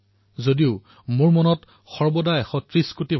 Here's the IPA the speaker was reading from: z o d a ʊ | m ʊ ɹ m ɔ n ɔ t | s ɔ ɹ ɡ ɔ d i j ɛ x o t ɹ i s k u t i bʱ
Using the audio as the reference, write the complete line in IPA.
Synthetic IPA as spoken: z o d i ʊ | m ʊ ɹ m ɔ n ɔ t | x ɔ ɹ b ɔ d a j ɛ x ɔ t ɹ i s k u t i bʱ